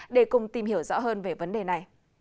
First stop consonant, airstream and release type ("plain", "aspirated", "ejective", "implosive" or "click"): implosive